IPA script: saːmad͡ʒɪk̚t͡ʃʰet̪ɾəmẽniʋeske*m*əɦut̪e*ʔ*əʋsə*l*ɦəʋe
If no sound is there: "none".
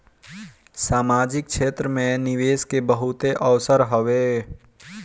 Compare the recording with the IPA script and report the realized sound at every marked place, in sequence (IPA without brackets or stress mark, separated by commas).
b, ʔ, ɾ